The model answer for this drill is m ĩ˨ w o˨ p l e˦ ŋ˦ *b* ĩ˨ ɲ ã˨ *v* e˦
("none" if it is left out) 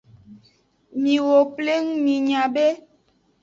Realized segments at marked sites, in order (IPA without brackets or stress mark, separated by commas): m, b